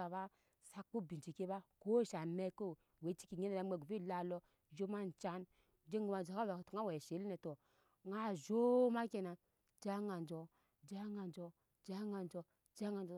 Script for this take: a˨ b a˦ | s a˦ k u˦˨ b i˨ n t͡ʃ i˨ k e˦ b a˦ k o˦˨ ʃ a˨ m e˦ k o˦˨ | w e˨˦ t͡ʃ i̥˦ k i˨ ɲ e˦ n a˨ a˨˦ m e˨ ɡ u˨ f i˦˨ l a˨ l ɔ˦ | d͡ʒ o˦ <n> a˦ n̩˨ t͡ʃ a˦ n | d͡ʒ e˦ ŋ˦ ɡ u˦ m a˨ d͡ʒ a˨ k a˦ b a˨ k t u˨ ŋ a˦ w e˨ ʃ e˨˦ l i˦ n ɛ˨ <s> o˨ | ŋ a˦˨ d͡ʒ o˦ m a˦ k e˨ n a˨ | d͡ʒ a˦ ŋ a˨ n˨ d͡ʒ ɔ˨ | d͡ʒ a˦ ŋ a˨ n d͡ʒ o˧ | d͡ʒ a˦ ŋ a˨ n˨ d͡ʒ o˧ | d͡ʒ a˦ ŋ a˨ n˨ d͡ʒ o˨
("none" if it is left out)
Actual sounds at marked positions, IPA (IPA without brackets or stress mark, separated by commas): m, t